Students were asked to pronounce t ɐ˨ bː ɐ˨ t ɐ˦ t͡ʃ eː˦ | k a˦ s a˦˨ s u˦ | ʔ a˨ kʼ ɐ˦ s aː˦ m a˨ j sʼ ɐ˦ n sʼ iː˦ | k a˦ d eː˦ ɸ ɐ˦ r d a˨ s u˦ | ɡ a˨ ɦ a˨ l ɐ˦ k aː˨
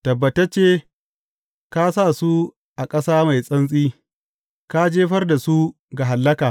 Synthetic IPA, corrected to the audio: t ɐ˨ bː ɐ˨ t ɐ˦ t͡ʃ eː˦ | k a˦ s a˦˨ s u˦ | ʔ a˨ kʼ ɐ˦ s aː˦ m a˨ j sʼ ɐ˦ n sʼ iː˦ | k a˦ d͡ʒ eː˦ ɸ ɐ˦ r d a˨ s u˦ | ɡ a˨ ɦ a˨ lː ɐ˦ k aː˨

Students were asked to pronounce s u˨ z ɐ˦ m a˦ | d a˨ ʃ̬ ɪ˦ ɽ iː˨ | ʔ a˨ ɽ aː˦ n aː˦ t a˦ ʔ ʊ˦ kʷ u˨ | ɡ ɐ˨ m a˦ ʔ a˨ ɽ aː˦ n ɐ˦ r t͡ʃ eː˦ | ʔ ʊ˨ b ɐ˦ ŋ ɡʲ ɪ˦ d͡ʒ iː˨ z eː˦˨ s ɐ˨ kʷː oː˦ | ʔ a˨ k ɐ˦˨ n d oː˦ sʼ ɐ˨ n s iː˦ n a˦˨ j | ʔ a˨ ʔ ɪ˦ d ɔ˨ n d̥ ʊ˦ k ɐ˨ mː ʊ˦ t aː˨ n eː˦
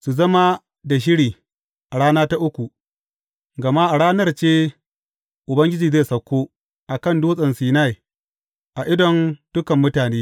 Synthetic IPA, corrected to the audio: s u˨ z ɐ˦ m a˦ | d a˨ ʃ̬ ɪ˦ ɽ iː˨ | ʔ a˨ ɽ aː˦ n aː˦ t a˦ ʔ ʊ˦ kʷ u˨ | ɡ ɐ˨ m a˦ ʔ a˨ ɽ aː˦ n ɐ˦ r t͡ʃ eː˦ | ʔ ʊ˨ b ɐ˦ ŋ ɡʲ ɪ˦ d͡ʒ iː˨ z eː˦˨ s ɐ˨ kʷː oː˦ | ʔ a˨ k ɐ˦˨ n d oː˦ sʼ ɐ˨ n s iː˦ n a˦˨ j | ʔ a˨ ʔ ɪ˦ d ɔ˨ n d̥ ʊ˦ k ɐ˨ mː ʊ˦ t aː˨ n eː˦

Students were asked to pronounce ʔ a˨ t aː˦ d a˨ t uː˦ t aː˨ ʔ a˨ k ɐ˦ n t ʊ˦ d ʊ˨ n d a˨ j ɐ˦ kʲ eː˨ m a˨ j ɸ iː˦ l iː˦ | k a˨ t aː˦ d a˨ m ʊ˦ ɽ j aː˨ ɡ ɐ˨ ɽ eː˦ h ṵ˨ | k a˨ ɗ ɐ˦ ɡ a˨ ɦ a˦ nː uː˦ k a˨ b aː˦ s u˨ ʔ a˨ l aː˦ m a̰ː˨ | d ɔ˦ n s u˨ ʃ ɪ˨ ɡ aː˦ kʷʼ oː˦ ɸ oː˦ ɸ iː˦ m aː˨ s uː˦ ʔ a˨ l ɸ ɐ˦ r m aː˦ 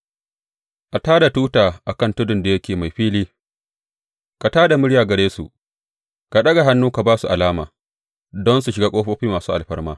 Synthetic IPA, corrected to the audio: ʔ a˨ t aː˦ d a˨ t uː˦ t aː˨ ʔ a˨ k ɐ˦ n t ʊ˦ d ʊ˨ n d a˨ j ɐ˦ kʲ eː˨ m a˨ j ɸ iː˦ l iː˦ | k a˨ t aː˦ d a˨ m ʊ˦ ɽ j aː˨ ɡ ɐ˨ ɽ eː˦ s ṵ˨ | k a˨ ɗ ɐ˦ ɡ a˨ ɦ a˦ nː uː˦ k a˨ b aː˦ s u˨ ʔ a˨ l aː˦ m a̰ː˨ | d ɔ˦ n s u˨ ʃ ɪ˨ ɡ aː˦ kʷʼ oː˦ ɸ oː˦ ɸ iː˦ m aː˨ s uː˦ ʔ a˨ l ɸ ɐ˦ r m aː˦

